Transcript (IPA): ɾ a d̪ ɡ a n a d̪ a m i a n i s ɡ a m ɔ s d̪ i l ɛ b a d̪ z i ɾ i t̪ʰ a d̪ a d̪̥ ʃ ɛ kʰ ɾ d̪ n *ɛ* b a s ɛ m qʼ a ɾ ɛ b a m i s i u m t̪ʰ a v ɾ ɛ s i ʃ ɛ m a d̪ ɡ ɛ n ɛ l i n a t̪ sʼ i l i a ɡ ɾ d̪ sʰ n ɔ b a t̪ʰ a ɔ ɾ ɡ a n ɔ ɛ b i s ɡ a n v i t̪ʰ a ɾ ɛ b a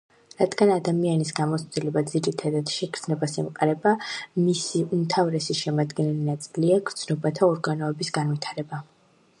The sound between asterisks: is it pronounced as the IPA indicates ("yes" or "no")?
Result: yes